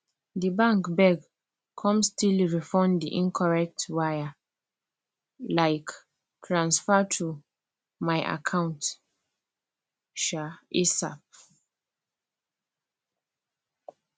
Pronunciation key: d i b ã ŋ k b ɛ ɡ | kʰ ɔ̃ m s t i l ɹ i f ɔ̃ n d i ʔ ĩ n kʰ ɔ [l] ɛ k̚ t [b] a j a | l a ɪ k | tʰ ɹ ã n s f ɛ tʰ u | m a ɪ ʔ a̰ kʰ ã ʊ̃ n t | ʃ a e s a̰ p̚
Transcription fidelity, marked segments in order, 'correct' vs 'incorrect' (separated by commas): incorrect, incorrect